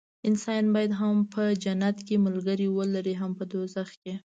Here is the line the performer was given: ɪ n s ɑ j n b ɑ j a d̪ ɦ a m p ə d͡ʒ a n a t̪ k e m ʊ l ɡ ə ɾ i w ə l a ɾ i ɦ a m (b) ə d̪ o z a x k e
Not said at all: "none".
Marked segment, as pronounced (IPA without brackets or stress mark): p